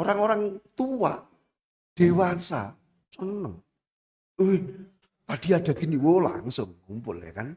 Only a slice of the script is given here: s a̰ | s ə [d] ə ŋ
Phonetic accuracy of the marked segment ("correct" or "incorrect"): incorrect